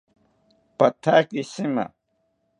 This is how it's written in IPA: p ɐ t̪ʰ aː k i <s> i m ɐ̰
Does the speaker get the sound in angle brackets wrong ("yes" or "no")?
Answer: no